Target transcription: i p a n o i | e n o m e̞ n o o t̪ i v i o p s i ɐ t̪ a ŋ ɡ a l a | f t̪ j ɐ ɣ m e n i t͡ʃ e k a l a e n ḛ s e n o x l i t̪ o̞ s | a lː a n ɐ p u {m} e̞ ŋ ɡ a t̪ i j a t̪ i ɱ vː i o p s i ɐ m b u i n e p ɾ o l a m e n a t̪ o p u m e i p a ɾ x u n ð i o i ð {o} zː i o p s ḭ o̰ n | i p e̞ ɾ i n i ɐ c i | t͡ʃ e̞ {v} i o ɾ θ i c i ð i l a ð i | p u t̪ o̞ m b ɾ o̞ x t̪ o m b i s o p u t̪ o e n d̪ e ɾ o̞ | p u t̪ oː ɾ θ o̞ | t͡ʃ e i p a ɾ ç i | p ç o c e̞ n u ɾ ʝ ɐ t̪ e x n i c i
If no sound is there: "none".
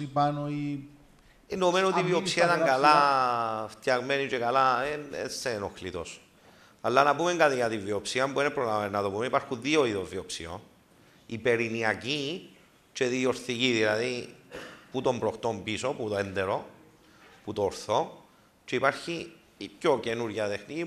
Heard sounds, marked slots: m, o, ð

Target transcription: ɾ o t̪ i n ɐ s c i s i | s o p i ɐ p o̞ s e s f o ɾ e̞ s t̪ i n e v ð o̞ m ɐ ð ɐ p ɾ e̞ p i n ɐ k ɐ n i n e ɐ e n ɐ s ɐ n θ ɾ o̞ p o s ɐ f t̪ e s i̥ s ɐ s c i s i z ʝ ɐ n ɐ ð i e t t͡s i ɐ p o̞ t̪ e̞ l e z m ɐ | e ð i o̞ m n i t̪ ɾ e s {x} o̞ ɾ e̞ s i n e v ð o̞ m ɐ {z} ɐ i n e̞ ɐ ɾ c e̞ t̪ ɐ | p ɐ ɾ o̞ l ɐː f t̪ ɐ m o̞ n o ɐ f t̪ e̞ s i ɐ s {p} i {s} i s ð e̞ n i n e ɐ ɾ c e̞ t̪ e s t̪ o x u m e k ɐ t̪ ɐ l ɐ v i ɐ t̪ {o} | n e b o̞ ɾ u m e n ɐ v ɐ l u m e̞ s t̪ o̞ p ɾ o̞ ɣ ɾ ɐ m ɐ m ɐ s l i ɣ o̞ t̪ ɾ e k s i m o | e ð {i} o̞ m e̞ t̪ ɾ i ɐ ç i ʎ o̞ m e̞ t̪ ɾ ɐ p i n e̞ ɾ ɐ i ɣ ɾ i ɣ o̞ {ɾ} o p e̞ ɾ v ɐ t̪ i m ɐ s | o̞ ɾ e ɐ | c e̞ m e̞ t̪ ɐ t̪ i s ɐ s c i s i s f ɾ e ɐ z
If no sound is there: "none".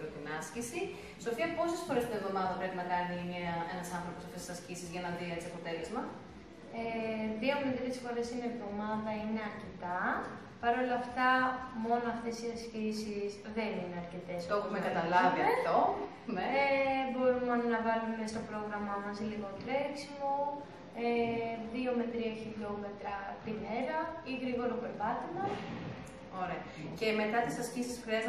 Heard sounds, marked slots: f, ð, c, s, o, i, ɾ

